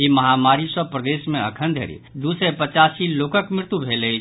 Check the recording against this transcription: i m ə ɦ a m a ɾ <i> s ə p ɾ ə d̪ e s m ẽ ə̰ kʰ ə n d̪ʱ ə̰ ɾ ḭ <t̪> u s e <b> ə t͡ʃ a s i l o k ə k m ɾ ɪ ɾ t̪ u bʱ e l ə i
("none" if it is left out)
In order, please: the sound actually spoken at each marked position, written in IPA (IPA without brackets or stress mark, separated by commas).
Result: i, d̪, p